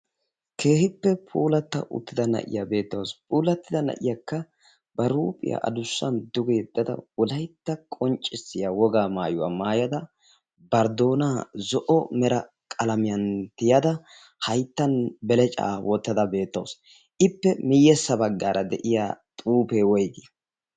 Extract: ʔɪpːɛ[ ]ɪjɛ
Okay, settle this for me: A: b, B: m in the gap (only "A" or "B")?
B